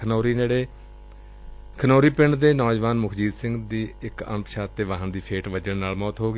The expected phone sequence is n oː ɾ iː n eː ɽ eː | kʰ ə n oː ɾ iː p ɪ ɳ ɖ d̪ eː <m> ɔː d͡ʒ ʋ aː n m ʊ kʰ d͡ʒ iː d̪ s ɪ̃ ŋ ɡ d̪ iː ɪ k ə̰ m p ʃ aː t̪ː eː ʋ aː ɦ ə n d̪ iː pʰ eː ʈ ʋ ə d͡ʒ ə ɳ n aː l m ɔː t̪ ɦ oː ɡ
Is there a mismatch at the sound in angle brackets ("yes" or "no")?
yes